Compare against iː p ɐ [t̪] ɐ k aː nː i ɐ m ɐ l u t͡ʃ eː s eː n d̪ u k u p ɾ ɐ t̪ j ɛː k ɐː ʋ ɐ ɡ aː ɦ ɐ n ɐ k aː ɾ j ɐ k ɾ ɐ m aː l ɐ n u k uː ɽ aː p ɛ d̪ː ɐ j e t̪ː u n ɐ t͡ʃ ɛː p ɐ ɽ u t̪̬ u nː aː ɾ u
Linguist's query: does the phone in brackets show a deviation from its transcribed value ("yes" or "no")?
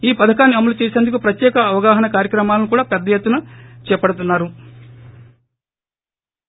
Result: yes